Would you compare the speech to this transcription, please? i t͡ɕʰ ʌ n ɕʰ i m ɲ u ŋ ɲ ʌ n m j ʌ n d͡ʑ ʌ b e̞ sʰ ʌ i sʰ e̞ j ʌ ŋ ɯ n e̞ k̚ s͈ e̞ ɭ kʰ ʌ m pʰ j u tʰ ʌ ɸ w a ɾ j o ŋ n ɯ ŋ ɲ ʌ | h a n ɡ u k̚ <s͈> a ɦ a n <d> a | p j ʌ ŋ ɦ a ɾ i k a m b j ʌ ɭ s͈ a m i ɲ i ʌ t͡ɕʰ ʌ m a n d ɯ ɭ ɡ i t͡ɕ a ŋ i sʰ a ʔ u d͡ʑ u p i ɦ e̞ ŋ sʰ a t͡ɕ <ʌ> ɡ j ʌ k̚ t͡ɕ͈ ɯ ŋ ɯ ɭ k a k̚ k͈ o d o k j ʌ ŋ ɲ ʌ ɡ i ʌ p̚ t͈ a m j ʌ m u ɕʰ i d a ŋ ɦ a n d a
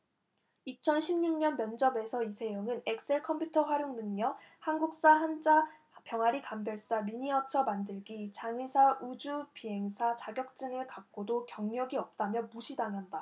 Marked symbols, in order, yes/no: yes, no, no

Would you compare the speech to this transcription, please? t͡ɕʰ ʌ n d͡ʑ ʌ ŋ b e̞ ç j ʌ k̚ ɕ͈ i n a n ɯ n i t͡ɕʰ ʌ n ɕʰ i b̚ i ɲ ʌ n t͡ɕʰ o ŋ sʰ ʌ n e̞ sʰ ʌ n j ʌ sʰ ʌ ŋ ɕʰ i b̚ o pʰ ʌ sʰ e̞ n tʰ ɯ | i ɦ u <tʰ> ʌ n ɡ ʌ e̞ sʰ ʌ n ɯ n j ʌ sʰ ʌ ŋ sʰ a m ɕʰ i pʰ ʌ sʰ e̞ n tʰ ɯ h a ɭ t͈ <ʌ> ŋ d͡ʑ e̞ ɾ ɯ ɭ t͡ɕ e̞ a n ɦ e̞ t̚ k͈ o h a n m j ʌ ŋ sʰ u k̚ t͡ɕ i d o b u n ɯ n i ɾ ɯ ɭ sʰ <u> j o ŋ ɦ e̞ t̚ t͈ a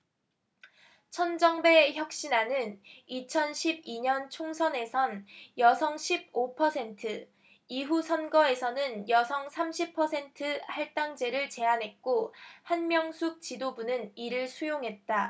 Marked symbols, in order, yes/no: no, no, yes

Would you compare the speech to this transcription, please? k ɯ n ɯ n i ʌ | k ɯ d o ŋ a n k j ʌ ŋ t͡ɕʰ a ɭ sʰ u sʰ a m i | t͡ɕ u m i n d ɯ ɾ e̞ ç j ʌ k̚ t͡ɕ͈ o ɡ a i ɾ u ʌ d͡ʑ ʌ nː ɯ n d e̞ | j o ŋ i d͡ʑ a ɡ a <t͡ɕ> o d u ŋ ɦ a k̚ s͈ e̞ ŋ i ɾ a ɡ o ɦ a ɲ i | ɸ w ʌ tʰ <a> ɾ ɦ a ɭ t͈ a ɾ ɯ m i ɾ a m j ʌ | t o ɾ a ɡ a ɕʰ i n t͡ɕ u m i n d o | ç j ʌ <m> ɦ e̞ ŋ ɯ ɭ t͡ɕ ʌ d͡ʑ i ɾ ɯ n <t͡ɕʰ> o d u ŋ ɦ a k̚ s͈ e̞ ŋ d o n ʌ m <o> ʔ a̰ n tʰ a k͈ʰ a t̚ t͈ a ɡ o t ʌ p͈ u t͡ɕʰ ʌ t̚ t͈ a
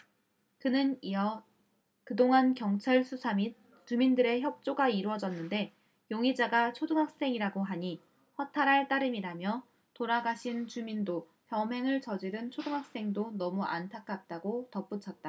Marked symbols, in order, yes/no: no, yes, yes, yes, no

